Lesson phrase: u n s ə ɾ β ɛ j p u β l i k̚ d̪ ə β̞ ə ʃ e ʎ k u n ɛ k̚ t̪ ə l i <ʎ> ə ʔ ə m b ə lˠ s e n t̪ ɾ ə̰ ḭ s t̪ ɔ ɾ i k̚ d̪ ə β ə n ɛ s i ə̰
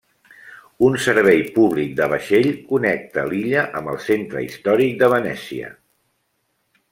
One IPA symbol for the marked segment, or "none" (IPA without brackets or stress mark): ʎ